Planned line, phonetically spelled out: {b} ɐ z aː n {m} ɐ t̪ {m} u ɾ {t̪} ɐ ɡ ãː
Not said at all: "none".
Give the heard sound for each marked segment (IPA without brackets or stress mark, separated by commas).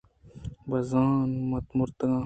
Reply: b, m, m, t̪